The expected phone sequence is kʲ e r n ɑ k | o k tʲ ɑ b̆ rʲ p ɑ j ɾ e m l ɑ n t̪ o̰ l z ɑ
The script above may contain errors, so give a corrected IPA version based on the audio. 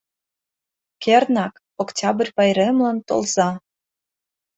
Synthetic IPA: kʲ e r n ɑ k | o k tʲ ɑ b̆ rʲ p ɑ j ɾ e m l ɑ n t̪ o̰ l z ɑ